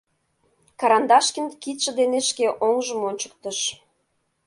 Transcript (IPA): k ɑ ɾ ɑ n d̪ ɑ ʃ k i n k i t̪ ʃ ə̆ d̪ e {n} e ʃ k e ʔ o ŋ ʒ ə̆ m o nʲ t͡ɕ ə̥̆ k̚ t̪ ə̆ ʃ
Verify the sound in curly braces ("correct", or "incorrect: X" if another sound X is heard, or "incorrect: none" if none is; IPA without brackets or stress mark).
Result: correct